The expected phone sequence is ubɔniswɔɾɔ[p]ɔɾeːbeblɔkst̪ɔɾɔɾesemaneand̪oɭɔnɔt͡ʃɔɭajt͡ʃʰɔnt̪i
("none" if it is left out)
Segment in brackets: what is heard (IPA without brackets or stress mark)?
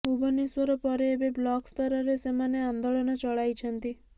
p